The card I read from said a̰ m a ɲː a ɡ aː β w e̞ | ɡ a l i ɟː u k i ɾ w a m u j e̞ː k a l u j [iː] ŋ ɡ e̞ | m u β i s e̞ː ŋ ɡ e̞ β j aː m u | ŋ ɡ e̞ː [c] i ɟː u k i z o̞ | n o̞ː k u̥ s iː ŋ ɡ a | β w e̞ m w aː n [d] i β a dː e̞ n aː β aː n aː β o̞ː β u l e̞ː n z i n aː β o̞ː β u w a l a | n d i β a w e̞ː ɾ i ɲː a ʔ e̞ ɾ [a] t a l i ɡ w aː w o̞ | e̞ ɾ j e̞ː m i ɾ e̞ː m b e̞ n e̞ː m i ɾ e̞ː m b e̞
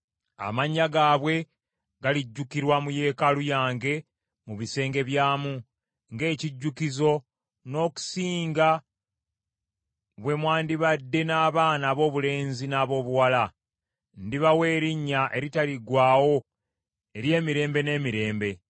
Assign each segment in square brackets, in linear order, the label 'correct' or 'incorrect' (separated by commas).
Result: incorrect, correct, correct, incorrect